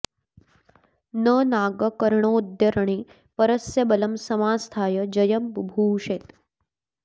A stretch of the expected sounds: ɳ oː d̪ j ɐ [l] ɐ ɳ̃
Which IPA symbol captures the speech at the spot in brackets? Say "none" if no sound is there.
ɾ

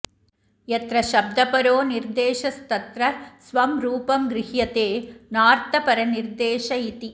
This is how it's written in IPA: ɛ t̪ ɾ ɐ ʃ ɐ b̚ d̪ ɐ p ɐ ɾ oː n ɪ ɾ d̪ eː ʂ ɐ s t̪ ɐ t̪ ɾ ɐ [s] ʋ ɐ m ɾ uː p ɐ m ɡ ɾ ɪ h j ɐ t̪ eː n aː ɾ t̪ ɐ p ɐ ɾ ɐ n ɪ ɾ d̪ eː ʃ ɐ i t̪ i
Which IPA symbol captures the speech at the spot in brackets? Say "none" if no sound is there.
s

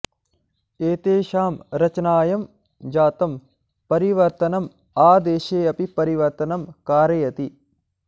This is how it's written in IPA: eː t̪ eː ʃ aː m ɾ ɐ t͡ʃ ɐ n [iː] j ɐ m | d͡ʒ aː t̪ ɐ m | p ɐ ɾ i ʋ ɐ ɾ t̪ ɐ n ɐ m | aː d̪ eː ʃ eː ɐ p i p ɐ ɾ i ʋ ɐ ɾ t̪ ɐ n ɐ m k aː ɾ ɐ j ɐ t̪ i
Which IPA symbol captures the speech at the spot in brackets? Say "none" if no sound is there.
aː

